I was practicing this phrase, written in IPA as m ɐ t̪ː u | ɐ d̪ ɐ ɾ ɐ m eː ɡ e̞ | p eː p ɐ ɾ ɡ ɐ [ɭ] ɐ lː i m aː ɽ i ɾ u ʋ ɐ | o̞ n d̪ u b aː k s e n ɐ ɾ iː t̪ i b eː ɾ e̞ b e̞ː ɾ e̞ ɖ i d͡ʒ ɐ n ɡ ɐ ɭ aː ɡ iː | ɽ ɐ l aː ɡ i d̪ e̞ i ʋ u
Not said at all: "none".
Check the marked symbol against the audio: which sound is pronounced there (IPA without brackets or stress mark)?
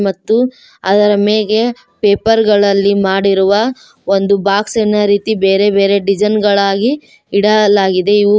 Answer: ɭ